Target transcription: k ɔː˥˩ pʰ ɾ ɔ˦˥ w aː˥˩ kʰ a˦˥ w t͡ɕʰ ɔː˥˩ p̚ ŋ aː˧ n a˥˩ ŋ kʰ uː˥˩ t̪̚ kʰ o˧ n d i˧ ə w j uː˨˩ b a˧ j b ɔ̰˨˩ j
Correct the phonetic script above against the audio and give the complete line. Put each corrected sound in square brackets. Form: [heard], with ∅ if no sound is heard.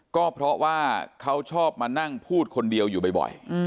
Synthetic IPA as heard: k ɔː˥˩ pʰ ɾ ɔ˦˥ w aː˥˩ kʰ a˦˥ w t͡ɕʰ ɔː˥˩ p̚ [m] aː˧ n a˥˩ ŋ [pʰ] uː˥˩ t̪̚ kʰ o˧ n d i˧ ə w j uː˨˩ b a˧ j b ɔ̰˨˩ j